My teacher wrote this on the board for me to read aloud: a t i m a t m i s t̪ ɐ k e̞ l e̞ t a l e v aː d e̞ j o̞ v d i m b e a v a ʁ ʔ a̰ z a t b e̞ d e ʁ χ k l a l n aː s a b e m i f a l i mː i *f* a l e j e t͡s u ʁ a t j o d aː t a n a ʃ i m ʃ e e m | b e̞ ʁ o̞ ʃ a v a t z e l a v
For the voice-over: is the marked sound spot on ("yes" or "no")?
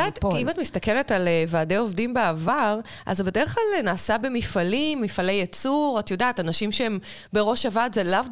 yes